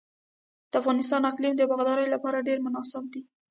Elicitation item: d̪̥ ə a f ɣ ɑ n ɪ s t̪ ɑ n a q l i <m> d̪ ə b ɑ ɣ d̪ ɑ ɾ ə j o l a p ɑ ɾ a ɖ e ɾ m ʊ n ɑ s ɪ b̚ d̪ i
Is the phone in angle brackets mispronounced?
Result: no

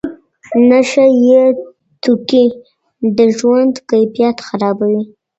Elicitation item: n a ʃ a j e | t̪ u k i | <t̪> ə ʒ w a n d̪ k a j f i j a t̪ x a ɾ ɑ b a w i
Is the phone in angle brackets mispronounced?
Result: yes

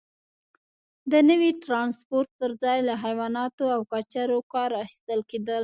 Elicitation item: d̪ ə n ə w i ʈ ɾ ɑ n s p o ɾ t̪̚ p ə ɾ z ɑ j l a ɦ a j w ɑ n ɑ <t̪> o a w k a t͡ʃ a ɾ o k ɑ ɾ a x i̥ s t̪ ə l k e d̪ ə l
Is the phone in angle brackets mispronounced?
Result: no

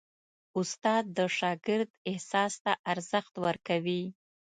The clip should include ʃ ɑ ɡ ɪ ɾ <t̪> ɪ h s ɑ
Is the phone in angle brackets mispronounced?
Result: yes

